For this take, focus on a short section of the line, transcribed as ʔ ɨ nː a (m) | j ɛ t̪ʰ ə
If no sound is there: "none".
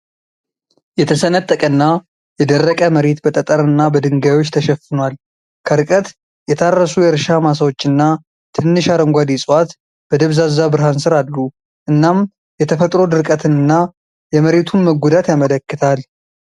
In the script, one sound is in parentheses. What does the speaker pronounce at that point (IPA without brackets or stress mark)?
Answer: m